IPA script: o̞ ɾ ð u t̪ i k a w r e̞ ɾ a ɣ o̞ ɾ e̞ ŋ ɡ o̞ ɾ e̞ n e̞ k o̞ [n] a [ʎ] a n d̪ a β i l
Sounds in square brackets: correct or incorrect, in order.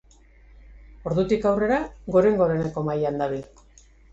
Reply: incorrect: m, incorrect: j

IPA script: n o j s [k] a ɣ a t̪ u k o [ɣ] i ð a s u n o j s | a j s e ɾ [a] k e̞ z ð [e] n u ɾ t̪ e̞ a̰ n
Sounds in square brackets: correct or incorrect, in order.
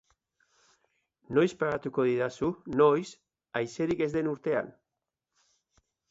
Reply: incorrect: p, incorrect: ð, incorrect: i, correct

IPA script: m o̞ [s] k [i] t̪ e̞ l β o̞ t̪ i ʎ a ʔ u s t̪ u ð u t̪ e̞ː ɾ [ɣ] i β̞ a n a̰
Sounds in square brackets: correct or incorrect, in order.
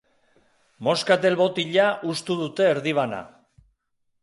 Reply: correct, incorrect: a, incorrect: ð

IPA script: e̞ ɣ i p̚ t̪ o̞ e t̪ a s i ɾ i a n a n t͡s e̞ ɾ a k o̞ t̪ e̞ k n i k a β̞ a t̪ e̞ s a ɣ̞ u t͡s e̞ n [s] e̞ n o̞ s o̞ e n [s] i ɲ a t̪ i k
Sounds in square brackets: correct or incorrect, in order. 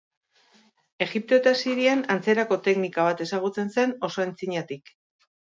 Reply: correct, incorrect: t͡s

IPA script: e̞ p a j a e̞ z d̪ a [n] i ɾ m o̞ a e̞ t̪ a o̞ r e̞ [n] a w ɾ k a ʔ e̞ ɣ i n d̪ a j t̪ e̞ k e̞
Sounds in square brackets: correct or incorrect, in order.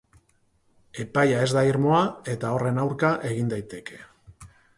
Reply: incorrect: none, correct

